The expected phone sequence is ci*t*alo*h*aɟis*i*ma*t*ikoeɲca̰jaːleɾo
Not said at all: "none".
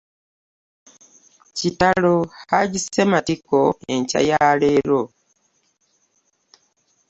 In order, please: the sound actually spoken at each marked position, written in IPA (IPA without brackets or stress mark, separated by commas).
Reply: t, h, e, t